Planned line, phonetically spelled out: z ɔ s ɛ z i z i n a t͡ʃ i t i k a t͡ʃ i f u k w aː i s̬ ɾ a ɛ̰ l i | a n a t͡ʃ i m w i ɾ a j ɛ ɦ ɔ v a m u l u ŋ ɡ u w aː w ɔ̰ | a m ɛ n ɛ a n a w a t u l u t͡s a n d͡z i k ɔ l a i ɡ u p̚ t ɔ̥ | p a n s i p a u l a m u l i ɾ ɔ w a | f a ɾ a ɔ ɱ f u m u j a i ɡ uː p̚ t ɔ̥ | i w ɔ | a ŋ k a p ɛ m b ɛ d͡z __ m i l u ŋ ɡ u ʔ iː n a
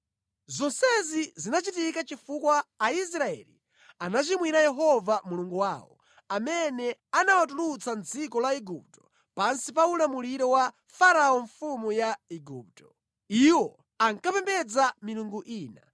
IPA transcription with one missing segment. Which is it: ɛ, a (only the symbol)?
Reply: a